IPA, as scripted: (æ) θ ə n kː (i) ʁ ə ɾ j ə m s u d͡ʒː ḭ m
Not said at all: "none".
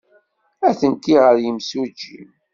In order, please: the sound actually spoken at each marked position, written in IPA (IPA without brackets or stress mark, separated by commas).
æ, i